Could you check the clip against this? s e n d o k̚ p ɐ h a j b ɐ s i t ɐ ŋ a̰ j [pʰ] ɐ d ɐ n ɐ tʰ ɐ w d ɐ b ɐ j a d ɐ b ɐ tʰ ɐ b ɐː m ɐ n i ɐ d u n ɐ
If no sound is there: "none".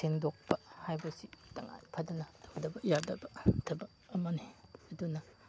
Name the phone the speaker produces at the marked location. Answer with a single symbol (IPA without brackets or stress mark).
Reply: pʰ